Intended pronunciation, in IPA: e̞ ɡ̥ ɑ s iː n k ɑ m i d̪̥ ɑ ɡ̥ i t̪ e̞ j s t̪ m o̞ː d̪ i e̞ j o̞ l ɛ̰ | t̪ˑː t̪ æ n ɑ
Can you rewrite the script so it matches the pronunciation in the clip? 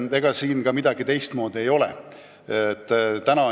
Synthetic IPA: e̞ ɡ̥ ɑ s iː n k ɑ m i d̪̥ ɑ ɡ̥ i t̪ e̞ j s t̪ m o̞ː d̪ i e̞ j o̞ l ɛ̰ | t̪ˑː t̪ æ n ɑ